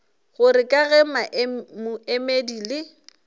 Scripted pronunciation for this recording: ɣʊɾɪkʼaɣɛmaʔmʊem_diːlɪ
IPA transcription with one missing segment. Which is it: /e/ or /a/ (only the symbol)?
e